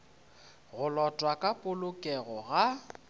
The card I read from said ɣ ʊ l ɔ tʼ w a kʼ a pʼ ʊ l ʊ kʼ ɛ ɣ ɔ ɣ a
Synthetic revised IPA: ɣ ʊ l ɔ tʼ w a kʼ a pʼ ʊ l ʊ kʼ ɛ ɣ ɔ ɣ a